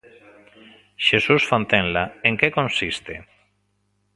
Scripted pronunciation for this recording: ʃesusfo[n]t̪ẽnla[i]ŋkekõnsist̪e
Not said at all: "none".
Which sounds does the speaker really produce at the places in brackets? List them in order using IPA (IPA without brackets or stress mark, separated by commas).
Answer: n, e